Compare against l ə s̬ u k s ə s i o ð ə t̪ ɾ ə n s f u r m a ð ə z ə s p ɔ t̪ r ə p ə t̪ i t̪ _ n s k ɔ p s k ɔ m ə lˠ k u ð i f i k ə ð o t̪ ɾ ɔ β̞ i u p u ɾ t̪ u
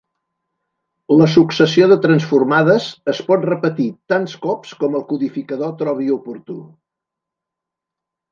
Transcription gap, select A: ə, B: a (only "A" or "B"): B